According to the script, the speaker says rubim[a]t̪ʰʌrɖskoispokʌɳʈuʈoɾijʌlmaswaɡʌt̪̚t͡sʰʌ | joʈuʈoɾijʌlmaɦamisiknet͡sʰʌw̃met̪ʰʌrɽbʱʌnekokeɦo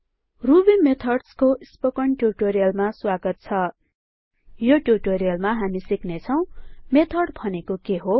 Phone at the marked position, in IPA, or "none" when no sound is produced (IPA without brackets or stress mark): e